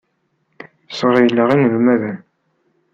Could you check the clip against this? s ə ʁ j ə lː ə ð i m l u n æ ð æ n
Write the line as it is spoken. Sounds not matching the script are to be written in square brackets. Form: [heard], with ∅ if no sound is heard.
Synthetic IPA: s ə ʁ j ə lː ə [ʁ] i [n] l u [m] æ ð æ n